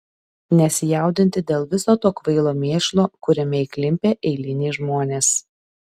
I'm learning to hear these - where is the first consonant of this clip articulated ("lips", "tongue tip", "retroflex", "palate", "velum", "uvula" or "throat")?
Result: tongue tip